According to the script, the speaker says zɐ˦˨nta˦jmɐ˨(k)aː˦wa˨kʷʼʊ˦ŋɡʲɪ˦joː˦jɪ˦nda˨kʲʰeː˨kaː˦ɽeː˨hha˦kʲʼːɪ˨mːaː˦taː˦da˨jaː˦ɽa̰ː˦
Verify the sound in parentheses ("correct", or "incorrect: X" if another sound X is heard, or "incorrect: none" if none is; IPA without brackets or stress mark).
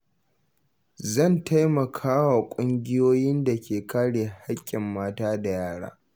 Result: incorrect: kʰ